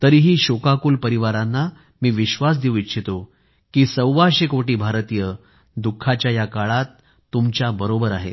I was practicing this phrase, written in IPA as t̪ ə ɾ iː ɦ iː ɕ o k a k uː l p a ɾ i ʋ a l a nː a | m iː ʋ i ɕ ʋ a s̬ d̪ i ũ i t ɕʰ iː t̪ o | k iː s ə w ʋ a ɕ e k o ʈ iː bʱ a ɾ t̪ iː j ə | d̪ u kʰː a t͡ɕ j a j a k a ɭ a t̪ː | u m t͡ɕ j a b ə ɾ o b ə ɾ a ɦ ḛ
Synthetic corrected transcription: t̪ ə ɾ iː ɦ iː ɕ o k a k uː l p ə ɾ i ʋ a ɾ a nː a | m iː ʋ i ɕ ʋ a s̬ d̪ i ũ i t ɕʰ i t̪ o | k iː s ə w ʋ a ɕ e k o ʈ iː bʱ a ɾ t̪ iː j ə | d̪ u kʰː a t͡ɕ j a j a k a ɭ a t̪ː | u m t͡ɕ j a b ə ɾ o b ə ɾ a ɦ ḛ